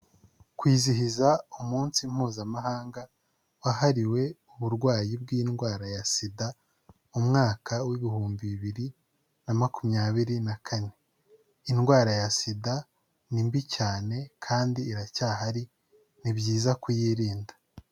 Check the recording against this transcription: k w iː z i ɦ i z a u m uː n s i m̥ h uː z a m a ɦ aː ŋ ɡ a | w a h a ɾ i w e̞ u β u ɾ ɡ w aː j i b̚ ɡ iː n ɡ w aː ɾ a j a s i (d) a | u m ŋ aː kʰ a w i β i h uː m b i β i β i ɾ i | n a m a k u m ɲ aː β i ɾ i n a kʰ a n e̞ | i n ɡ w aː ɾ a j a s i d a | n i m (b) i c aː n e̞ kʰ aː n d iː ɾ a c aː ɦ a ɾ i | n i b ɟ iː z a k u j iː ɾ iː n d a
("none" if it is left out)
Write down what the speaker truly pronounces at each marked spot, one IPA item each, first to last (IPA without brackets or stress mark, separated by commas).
d, b